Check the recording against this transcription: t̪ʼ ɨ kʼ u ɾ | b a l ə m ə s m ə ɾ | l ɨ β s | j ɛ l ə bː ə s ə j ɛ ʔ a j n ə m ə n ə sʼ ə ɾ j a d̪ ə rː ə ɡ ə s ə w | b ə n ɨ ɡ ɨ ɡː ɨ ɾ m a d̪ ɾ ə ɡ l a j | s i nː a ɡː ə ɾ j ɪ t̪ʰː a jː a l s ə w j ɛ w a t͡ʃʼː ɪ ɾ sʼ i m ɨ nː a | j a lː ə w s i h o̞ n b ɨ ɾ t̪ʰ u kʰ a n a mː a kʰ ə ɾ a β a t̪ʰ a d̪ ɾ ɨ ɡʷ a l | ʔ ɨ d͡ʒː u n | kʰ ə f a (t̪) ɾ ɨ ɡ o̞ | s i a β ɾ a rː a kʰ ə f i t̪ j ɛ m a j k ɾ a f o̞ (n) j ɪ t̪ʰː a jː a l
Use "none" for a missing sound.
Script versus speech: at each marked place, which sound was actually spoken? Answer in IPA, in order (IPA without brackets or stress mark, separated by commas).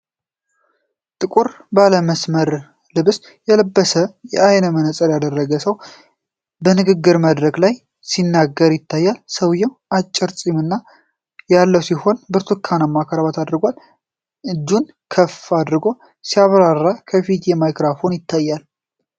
d̪, n